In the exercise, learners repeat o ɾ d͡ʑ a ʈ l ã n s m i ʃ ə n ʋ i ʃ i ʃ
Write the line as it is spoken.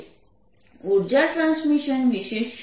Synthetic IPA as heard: u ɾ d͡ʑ a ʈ ɾ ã n s m i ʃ ə n ʋ i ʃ e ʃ